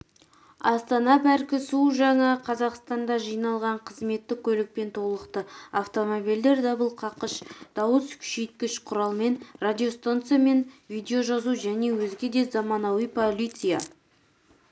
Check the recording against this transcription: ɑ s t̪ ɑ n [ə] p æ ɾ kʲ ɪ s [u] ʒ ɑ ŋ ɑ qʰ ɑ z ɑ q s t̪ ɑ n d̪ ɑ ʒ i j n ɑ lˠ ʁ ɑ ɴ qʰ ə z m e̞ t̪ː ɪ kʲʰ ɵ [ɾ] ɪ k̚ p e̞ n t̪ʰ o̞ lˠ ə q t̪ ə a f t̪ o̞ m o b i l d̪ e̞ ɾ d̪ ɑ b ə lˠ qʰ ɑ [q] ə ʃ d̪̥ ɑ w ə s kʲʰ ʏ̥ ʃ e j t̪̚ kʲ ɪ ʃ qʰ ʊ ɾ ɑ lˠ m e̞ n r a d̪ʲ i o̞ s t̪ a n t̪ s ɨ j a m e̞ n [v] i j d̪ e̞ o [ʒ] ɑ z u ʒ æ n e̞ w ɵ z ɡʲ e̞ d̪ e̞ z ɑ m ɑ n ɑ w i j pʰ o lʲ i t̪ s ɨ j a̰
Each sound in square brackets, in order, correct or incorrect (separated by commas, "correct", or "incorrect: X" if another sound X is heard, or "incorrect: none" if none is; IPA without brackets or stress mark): incorrect: ɑ, correct, incorrect: l, correct, correct, correct